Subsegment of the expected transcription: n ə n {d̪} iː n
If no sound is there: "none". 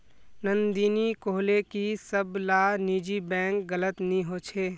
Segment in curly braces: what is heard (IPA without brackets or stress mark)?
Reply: d̪